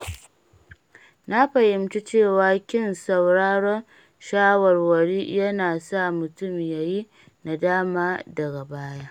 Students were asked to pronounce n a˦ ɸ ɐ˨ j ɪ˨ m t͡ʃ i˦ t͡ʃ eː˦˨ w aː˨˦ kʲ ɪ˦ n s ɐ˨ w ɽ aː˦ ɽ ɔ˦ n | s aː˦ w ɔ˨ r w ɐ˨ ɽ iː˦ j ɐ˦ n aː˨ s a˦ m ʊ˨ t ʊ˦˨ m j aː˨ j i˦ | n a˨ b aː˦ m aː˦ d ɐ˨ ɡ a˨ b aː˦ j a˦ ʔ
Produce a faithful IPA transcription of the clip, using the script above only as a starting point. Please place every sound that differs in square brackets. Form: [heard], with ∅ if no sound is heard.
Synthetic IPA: n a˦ ɸ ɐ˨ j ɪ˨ m t͡ʃ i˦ t͡ʃ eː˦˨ w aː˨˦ kʲ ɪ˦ n s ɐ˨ w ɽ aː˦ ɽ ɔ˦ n | [ʃ] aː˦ w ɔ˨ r w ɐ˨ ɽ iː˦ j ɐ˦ n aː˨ s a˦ m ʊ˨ t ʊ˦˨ m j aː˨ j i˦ | n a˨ [d] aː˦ m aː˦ d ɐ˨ ɡ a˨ b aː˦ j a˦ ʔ